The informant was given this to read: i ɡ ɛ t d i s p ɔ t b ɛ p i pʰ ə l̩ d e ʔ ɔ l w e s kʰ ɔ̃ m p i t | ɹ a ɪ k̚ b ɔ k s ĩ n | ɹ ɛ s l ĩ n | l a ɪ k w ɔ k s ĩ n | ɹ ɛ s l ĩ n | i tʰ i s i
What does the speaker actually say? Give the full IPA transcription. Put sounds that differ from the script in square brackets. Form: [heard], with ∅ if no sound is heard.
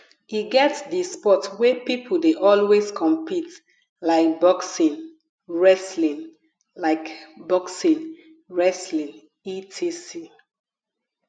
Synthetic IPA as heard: i ɡ ɛ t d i s p ɔ t [w] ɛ p i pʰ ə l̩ d e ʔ ɔ l w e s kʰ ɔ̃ m p i t | [l] a ɪ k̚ b ɔ k s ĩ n | ɹ ɛ s l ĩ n | l a ɪ k [b] ɔ k s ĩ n | ɹ ɛ s l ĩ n | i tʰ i s i